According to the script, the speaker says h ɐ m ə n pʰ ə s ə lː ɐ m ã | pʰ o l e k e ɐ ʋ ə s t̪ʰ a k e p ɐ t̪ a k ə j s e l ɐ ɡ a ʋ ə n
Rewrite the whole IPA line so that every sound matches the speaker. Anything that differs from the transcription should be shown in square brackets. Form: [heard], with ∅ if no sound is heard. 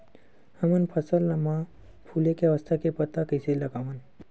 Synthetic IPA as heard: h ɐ m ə n pʰ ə s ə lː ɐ m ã | pʰ [u] l e k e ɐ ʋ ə s t̪ʰ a k e p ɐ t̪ a k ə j s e l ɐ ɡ a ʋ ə n